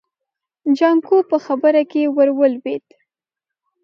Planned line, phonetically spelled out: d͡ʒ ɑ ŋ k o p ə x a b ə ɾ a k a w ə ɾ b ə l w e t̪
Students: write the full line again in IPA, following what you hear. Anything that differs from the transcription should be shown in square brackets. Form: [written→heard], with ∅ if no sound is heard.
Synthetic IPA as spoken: d͡ʒ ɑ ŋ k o p ə x a b ə ɾ a k [a→e] w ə ɾ [b→w] ə l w e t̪